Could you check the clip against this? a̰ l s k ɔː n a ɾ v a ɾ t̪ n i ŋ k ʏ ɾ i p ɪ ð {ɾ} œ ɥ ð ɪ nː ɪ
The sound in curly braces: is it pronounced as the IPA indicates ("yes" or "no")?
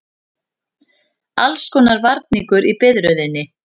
yes